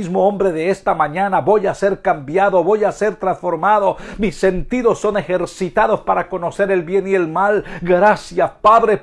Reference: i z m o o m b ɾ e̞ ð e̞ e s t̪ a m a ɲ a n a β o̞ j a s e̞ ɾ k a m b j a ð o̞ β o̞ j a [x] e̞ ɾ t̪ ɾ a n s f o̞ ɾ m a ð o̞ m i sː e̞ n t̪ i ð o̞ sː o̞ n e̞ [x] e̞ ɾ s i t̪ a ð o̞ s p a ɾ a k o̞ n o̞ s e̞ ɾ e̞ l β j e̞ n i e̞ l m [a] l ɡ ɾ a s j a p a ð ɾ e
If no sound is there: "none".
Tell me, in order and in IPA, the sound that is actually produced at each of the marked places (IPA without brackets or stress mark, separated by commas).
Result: s, x, a